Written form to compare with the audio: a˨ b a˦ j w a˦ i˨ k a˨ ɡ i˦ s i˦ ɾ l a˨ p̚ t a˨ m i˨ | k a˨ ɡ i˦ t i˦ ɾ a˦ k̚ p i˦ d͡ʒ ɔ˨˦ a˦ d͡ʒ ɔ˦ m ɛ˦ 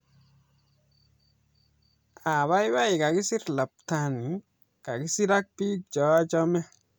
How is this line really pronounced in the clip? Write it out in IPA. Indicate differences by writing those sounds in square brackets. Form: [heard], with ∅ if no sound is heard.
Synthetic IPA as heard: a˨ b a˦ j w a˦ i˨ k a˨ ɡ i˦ s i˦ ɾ l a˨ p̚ t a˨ [n] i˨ | k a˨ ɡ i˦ [s] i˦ ɾ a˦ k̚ p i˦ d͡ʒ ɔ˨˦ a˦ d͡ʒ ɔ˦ m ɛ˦